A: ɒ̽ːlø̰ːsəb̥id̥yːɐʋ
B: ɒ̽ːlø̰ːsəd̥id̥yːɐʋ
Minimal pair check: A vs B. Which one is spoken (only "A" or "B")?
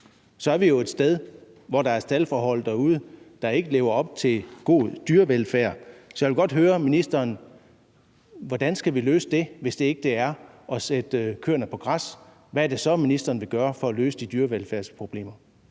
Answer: B